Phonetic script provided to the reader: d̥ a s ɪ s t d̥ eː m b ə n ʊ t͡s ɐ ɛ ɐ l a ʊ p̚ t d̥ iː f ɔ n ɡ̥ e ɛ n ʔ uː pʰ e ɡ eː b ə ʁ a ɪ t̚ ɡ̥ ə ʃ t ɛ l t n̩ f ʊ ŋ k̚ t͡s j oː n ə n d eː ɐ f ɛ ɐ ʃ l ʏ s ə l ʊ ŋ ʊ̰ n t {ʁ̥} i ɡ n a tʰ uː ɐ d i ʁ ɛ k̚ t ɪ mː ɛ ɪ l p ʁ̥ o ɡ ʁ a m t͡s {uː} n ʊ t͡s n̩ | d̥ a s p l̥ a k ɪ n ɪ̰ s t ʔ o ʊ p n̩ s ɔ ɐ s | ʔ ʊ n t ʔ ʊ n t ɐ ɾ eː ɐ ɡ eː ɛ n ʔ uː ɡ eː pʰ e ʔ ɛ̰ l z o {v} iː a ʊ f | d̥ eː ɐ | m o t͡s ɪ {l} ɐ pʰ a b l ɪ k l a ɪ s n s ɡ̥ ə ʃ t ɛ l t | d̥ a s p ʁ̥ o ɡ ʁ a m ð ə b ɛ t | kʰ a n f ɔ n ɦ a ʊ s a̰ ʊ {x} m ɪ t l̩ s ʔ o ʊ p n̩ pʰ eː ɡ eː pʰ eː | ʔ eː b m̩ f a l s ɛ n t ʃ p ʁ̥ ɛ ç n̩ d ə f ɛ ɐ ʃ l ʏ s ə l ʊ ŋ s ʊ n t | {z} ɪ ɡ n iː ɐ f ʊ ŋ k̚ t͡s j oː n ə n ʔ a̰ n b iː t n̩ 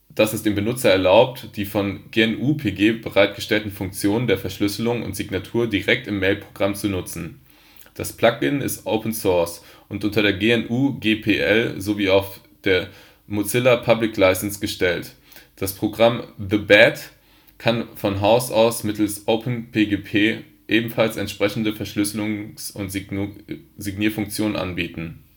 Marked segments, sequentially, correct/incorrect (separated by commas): incorrect, incorrect, correct, correct, incorrect, correct